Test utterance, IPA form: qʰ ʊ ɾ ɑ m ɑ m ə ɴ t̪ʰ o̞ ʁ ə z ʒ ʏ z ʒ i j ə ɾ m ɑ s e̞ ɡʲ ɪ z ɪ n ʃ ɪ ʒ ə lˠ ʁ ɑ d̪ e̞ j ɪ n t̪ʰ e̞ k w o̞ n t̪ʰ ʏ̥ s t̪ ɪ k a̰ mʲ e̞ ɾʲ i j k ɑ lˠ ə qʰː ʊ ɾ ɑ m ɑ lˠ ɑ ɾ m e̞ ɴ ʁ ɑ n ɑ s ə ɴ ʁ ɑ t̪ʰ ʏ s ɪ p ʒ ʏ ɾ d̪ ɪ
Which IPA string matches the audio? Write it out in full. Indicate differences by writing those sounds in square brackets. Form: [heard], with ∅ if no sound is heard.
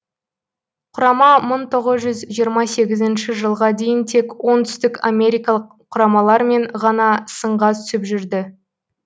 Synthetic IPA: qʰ ʊ ɾ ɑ m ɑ m ə ɴ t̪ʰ o̞ ʁ ə z ʒ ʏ z ʒ i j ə ɾ m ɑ s e̞ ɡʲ ɪ z ɪ n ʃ ɪ ʒ ə lˠ ʁ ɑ d̪ e̞ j ɪ n t̪ʰ e̞ k w o̞ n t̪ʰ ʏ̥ s t̪ ɪ k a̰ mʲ e̞ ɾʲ i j k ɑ lˠ ə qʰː ʊ ɾ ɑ m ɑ lˠ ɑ ɾ m e̞ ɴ ʁ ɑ n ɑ s ə ɴ ʁ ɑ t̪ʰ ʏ s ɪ p ʒ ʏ ɾ d̪ ɪ